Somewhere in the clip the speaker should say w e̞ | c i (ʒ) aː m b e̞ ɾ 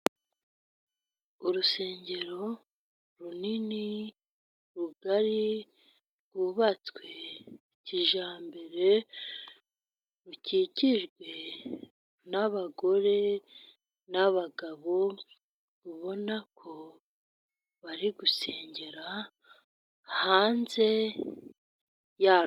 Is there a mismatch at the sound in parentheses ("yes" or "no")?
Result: no